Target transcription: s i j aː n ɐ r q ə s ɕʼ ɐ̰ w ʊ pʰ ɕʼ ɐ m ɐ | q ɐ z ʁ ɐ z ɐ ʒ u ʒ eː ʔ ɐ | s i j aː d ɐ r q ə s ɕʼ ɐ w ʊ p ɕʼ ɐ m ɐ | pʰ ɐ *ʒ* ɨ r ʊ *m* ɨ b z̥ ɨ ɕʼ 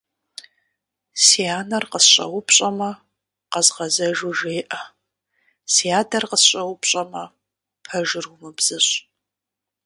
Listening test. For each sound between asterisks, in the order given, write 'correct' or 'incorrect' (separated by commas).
correct, correct